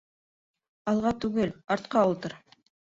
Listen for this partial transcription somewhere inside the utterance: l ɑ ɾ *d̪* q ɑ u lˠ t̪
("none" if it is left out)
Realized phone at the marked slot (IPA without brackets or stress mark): t̪